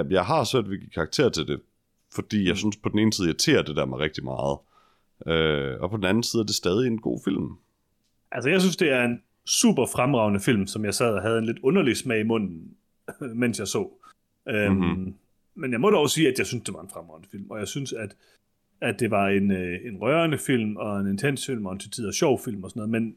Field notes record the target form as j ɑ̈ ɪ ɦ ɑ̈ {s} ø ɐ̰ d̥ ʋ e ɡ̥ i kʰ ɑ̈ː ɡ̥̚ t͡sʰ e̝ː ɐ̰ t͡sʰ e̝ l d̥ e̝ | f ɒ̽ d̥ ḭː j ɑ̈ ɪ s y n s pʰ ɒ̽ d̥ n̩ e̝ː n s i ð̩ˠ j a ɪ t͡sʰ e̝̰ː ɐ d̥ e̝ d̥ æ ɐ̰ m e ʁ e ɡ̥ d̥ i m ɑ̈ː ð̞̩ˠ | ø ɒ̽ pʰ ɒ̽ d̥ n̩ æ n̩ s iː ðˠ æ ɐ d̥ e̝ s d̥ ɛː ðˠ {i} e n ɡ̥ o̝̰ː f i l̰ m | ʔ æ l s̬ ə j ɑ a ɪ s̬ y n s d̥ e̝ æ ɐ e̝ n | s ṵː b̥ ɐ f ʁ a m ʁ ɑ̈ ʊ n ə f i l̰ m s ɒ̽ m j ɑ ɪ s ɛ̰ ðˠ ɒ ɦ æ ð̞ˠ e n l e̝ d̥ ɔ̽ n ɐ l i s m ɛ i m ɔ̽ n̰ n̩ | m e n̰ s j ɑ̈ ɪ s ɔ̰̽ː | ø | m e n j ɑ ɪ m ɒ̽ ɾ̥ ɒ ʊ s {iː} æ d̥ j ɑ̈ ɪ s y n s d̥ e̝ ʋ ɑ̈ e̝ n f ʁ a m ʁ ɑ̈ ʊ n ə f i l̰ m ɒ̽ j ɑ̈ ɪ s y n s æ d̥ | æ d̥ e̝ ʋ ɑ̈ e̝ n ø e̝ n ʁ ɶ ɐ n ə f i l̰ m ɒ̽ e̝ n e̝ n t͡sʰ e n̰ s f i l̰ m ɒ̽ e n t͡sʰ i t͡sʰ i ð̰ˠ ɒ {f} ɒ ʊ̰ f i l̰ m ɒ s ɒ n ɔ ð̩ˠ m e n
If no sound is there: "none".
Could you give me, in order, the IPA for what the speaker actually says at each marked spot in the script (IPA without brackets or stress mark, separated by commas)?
s, i, iː, ɕ